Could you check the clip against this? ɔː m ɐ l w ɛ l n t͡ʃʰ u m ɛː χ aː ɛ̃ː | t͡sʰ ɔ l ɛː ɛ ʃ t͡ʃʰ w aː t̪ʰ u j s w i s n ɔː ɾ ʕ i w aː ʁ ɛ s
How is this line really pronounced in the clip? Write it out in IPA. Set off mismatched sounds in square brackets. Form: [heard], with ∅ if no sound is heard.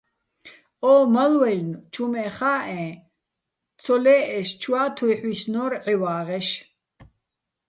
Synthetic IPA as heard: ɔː m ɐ l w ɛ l n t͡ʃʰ u m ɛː χ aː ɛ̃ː | t͡sʰ ɔ l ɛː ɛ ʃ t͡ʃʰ w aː t̪ʰ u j [ħ] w i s n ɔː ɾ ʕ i w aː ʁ ɛ [ʃ]